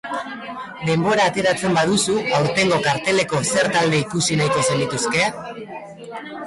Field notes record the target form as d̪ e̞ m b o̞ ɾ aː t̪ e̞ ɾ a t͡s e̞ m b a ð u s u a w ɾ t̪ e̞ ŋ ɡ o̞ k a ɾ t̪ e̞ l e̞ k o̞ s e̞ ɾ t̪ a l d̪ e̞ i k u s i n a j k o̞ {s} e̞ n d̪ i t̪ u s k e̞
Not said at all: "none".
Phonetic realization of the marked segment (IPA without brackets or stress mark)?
s